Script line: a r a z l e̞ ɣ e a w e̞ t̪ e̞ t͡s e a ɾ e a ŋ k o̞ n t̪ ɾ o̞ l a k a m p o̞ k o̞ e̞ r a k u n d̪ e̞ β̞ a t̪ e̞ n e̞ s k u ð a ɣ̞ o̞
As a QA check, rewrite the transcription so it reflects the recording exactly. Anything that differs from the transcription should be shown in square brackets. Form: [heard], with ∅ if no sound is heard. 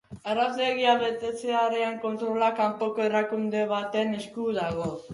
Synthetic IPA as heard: a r a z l e̞ ɣ [i] a [β] e̞ t̪ e̞ t͡s e a ɾ e a ŋ k o̞ n t̪ ɾ o̞ l a k a m p o̞ k o̞ e̞ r a k u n d̪ e̞ β̞ a t̪ e̞ n e̞ s k u ð a ɣ̞ o̞